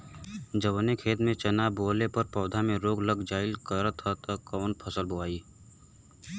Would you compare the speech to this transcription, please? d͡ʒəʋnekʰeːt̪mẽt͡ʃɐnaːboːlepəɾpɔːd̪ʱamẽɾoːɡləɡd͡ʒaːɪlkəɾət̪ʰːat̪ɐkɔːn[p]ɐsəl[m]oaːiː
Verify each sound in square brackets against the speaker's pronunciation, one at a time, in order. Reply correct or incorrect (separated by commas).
incorrect, incorrect